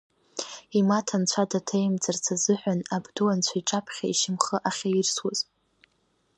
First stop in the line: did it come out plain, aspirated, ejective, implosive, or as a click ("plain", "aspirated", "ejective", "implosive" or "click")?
aspirated